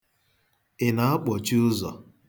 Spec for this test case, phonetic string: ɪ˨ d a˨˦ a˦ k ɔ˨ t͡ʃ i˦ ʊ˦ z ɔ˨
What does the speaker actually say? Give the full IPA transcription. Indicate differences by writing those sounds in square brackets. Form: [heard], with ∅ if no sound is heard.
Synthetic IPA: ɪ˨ [n] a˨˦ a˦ [k͡p] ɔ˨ t͡ʃ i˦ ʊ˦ z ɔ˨